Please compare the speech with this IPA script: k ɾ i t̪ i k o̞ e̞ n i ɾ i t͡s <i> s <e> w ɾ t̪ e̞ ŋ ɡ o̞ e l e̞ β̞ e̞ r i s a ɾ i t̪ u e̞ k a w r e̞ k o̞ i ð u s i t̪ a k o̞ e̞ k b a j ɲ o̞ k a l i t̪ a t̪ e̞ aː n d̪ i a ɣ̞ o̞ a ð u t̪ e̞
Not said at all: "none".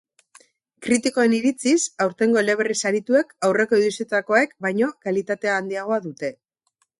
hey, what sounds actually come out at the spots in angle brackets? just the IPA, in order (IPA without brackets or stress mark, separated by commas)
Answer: i, a